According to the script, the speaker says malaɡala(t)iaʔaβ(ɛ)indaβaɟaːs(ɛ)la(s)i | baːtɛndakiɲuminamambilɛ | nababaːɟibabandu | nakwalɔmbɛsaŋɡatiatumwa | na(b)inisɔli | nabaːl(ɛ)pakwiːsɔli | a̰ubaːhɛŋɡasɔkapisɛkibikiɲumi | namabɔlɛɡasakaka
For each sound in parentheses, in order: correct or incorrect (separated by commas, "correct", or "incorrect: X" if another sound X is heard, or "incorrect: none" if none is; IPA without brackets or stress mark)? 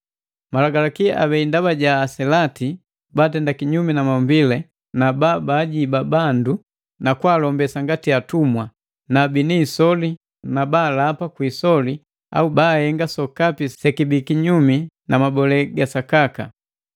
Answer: incorrect: k, correct, correct, incorrect: t, correct, incorrect: a